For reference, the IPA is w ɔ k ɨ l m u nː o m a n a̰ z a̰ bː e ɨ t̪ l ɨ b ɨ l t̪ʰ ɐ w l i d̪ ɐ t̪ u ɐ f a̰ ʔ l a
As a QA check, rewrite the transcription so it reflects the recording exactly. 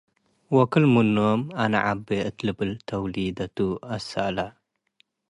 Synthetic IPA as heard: w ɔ k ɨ l m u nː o m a n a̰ ʕ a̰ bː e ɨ t̪ l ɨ b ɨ l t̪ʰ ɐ w l i d̪ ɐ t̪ u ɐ s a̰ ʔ l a